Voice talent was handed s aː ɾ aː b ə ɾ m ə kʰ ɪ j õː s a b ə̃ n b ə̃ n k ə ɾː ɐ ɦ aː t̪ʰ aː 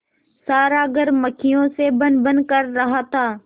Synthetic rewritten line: s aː ɾ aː ɡ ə ɾ m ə kʰ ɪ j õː s e b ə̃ n b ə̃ n k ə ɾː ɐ ɦ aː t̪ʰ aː